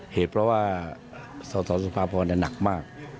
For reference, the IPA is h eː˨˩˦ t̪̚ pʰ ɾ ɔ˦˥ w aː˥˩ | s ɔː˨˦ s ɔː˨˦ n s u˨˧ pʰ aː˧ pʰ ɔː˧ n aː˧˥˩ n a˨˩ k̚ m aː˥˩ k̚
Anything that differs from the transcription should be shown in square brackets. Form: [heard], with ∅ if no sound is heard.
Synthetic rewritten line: h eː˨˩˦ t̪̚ pʰ ɾ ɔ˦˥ w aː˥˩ | s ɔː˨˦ s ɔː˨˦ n s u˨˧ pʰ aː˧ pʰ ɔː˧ n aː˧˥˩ n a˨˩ k̚ m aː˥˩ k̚